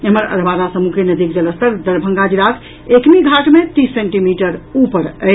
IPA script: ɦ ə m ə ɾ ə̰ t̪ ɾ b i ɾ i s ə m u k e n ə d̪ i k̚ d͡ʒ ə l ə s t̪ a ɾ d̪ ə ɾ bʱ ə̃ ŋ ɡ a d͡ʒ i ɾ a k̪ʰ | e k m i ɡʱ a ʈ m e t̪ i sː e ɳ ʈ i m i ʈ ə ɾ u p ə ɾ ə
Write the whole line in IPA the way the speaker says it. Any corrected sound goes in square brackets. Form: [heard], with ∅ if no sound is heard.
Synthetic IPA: ɦ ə m ə ɾ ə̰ [∅] ɾ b [a] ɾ [a] s ə m u k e n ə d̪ i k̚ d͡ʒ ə l ə s t̪ [ə] ɾ d̪ ə ɾ bʱ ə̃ ŋ ɡ a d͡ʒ i ɾ a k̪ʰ | e k m i ɡʱ a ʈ m e t̪ i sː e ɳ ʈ i m i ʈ ə ɾ u p ə ɾ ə